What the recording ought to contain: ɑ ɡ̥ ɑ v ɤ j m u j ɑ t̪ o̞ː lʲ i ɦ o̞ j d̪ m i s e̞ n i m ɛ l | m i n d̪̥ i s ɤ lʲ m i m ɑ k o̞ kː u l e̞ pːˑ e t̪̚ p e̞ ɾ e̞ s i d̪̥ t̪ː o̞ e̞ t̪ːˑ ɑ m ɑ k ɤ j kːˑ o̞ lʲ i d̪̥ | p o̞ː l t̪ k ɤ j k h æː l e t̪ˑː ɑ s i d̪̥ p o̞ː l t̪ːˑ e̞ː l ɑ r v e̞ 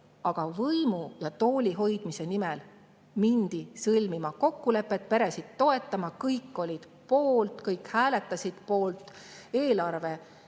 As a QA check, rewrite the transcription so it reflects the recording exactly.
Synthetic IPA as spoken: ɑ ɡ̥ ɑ v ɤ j m u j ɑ t̪ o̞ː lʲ i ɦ o̞ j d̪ m i s e̞ n i m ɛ l | m i n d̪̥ i s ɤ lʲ m i m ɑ k o̞ kː u l e̞ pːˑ e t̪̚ p e̞ ɾ e̞ s i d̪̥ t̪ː o̞ e̞ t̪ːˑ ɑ m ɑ k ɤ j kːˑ o̞ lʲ i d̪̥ | p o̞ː l t̪ k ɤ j k h æː l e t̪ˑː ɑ s i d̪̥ p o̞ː l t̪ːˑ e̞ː l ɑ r v e̞